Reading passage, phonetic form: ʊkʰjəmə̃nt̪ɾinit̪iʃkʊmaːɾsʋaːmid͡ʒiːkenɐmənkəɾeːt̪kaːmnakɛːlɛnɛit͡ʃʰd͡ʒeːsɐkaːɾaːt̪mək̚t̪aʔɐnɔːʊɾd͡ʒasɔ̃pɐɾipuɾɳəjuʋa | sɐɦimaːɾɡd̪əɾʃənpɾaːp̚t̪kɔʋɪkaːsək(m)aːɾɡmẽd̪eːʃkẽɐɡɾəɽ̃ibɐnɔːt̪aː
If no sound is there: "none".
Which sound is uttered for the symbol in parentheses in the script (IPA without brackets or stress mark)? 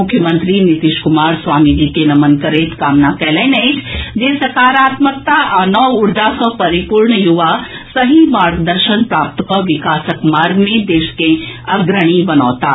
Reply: m